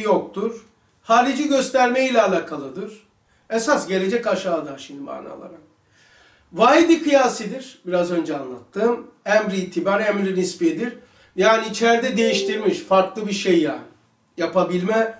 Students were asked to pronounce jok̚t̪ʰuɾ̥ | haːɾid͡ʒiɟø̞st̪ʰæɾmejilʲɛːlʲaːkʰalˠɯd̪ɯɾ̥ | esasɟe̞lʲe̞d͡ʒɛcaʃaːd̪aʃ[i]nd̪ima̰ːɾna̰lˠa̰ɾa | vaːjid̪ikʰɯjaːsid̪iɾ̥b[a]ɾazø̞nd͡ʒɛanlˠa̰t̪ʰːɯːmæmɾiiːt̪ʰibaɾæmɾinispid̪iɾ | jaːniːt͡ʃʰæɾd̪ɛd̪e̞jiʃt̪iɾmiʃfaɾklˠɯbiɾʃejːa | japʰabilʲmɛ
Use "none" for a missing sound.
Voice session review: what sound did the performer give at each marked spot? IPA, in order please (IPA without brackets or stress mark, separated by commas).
i, i